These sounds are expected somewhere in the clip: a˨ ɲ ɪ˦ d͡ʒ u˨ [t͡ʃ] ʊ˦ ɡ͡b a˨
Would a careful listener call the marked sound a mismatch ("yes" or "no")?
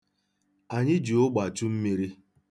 yes